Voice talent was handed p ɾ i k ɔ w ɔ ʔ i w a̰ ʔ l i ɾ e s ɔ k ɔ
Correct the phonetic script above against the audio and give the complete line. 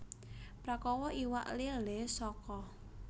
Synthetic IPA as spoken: p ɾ a k ɔ w ɔ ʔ i w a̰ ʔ l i l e s ɔ k ɔ